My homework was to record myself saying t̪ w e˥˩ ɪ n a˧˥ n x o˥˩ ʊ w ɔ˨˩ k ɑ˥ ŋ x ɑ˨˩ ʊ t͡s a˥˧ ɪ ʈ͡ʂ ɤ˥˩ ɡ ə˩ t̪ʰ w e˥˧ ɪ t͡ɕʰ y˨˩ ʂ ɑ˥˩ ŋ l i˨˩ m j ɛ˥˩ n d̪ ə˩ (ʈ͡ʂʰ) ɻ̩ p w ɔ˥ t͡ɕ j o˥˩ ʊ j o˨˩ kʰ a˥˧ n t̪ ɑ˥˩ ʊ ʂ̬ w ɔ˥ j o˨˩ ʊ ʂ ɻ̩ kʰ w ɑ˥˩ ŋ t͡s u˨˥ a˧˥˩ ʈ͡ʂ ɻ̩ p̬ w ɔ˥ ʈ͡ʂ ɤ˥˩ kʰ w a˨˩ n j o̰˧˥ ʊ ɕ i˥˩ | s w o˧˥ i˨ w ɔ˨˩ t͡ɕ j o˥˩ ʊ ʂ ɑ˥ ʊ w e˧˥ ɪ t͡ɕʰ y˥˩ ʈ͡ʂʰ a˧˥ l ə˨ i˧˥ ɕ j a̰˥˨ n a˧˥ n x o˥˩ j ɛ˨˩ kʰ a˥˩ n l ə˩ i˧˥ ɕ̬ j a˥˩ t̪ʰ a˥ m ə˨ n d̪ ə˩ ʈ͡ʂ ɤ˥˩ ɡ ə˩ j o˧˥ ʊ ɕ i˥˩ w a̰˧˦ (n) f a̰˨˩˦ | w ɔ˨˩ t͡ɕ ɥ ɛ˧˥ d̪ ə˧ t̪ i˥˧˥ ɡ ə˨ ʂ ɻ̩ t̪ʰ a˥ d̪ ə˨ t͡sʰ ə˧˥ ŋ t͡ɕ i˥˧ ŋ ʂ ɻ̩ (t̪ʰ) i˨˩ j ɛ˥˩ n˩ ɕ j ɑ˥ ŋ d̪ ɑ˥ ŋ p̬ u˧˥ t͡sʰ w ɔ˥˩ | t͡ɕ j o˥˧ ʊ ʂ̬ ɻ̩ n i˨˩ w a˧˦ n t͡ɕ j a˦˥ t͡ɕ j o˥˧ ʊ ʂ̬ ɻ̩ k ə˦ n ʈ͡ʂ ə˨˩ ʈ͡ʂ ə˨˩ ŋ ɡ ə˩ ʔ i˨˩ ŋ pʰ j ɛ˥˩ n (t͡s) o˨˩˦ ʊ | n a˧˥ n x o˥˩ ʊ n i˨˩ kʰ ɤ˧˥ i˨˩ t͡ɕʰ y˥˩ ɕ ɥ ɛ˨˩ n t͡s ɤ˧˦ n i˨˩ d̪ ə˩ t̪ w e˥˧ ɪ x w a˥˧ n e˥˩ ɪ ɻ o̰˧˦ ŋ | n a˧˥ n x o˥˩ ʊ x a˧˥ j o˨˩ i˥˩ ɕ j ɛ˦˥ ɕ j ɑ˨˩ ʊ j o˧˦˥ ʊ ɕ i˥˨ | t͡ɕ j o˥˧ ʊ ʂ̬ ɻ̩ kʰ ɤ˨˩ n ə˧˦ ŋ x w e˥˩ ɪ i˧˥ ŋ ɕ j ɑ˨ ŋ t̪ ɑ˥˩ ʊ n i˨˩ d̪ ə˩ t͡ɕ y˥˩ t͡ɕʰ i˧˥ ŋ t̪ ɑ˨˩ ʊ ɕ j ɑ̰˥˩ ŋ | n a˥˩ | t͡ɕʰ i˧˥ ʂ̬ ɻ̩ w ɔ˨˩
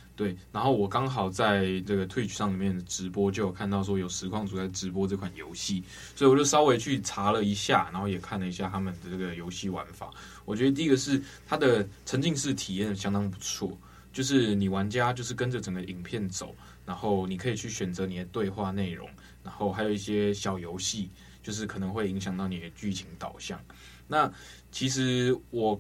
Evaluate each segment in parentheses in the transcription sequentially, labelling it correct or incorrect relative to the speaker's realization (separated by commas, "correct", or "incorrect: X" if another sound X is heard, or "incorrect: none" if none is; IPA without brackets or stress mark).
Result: incorrect: ʈ͡ʂ, correct, correct, correct